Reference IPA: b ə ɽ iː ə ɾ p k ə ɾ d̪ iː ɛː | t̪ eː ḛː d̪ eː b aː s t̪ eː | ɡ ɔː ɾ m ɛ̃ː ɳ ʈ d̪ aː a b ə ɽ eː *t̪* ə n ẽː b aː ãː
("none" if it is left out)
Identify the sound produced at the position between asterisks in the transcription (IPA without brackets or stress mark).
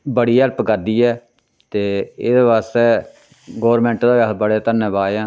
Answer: t̪